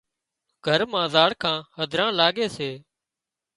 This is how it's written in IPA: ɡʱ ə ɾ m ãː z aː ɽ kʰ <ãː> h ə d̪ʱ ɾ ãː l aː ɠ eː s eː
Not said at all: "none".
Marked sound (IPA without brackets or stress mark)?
ãː